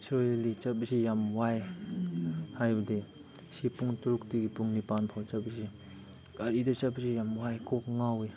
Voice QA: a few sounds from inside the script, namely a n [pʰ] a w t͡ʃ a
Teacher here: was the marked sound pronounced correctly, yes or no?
yes